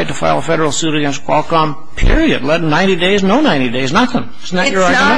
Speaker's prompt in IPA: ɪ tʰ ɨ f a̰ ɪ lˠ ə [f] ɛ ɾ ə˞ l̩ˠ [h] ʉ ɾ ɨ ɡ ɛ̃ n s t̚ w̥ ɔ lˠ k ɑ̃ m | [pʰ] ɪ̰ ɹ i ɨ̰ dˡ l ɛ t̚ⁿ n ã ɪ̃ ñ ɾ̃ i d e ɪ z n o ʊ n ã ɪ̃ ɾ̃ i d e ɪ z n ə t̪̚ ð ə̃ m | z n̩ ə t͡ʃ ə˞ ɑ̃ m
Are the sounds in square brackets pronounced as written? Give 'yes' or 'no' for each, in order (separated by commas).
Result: yes, no, yes